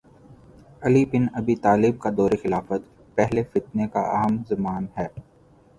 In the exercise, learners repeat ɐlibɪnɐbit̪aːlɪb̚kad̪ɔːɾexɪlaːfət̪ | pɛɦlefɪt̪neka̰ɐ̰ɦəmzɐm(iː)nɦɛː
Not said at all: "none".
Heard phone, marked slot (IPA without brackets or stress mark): aː